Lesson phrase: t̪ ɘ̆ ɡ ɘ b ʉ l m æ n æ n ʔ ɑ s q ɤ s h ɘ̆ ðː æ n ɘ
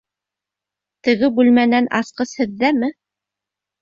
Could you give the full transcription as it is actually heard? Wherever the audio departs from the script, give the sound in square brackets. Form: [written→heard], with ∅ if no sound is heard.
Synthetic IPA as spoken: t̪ ɘ̆ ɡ ɘ b ʉ l m æ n æ n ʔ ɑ s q ɤ s h ɘ̆ ðː æ [n→m] ɘ